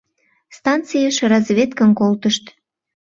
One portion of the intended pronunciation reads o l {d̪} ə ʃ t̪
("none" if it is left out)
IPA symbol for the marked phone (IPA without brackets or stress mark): t̪